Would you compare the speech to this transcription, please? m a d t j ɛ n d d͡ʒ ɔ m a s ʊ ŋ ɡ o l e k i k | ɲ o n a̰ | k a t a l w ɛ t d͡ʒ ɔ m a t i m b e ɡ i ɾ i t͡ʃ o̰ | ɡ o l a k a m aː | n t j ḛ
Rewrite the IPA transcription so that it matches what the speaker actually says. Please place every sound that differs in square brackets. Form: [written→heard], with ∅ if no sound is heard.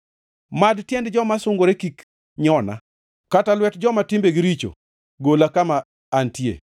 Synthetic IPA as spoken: m a d t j ɛ n d d͡ʒ ɔ m a s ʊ ŋ ɡ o [l→ɾ] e k i k | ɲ [o→ɔ] n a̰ | k a t a l w ɛ t d͡ʒ ɔ m a t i m b e ɡ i ɾ i t͡ʃ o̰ | ɡ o l a k a m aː | n t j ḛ